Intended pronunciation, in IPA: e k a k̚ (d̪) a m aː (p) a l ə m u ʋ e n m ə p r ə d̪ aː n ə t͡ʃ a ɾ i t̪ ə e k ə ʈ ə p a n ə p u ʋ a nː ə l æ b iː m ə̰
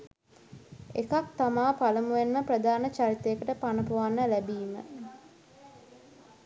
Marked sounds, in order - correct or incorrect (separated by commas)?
incorrect, correct